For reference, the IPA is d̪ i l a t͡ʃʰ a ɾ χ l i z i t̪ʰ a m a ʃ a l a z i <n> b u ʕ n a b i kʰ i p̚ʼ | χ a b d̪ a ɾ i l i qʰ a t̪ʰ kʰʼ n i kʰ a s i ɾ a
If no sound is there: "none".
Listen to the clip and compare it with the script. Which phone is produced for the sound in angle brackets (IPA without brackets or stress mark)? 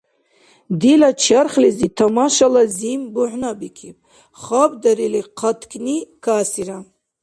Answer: m